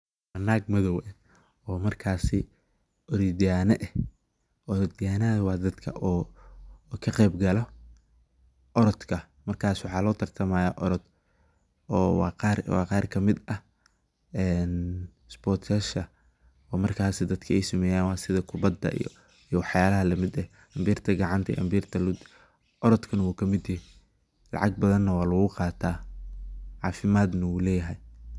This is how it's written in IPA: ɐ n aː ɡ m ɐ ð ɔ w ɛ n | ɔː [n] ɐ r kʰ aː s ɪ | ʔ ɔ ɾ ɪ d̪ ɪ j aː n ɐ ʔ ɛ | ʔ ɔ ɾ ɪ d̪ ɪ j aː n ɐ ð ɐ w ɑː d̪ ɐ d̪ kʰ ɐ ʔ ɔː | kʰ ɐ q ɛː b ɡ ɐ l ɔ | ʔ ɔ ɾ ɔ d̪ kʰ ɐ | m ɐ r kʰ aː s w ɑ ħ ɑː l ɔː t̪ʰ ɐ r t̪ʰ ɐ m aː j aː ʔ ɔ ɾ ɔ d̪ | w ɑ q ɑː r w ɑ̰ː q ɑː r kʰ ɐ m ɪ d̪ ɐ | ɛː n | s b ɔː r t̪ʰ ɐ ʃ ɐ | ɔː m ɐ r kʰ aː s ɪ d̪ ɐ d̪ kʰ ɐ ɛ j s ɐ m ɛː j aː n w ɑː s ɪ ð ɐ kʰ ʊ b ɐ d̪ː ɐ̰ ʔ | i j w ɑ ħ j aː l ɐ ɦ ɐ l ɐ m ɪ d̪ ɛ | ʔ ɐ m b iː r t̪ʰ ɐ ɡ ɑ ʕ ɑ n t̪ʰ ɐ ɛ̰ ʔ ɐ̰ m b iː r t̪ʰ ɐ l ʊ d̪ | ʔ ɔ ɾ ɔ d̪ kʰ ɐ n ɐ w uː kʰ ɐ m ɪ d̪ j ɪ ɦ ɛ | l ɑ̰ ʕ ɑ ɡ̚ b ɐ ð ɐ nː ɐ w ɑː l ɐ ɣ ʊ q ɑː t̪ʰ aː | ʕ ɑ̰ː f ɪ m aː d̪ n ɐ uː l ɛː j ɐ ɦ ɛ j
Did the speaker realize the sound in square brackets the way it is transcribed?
no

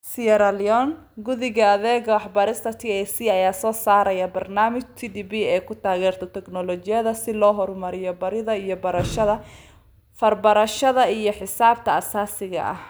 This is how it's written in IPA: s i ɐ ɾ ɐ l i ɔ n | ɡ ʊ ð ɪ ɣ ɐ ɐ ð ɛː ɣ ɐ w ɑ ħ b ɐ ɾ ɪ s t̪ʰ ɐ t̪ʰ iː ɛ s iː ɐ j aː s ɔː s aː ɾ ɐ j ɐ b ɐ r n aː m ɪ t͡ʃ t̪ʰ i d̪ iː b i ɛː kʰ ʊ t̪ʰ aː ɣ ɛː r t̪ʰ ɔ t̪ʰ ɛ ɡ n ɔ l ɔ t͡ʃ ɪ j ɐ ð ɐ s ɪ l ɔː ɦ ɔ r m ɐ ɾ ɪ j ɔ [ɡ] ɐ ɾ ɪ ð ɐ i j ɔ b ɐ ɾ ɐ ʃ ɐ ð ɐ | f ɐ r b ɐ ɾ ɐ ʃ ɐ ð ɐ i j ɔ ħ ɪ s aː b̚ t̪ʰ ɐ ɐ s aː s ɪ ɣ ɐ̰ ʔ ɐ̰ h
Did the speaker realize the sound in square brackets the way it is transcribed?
no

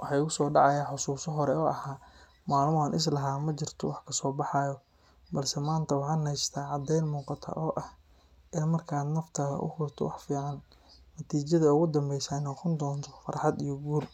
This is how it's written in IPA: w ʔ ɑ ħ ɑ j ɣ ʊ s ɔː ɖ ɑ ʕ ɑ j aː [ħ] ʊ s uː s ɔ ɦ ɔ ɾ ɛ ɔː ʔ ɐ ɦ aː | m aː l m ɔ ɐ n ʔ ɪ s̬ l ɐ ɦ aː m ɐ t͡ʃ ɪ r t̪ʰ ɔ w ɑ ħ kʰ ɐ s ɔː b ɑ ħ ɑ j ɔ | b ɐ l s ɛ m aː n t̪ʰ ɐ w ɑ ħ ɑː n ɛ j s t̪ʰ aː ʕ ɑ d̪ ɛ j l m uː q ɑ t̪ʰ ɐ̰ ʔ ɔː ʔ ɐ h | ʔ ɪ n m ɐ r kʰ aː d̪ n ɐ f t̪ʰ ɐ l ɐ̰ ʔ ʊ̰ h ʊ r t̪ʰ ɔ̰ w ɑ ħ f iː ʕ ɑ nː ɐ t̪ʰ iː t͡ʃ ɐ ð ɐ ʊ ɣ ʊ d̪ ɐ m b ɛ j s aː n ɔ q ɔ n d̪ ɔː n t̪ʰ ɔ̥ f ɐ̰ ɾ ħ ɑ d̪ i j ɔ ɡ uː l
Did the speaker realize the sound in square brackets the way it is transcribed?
yes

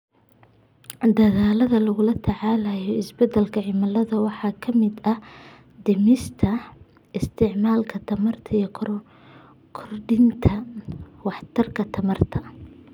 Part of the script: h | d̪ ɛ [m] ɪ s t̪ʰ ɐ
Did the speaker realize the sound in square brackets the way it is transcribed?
yes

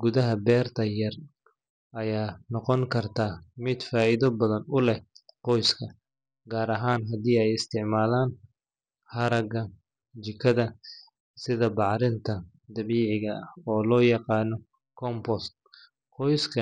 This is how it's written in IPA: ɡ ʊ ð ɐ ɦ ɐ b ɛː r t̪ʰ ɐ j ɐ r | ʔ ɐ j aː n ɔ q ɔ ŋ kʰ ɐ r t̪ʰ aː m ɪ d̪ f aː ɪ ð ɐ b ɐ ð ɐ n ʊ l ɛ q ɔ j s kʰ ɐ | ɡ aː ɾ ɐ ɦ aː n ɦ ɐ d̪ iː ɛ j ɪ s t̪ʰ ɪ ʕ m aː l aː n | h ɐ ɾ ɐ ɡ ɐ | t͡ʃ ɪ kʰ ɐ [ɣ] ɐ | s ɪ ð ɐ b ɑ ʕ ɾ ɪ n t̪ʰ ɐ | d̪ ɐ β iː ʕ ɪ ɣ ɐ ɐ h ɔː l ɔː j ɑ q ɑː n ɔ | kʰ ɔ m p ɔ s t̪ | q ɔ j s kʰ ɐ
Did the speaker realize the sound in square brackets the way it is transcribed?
no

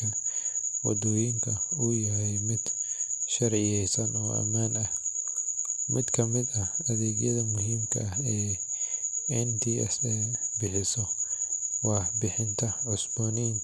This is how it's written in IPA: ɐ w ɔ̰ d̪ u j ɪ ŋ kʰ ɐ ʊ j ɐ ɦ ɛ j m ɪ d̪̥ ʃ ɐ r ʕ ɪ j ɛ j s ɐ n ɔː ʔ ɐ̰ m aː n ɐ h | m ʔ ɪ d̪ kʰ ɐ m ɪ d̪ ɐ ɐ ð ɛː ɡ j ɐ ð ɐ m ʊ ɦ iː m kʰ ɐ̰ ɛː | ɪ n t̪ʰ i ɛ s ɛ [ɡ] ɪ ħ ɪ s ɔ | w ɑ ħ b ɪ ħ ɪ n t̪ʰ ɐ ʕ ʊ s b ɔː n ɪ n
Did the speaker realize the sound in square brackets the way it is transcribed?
no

